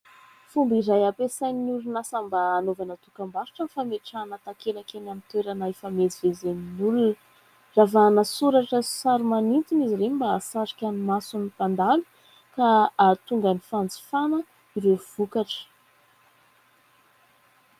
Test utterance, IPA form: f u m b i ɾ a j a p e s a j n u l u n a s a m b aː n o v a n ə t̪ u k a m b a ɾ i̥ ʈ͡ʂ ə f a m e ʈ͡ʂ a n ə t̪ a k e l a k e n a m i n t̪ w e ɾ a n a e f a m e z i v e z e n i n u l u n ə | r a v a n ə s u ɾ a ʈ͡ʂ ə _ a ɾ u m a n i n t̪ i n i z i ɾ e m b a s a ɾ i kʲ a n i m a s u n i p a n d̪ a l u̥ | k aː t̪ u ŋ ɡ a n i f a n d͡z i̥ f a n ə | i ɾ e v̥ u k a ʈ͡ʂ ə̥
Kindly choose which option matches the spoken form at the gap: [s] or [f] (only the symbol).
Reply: s